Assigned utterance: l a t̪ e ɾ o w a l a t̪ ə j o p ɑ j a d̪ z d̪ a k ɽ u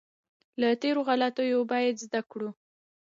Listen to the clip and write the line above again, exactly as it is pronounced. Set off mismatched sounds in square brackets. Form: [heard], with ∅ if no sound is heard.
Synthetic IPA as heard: l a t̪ e ɾ o [ɣ] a l a t̪ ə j o [b] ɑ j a d̪ z d̪ a k ɽ u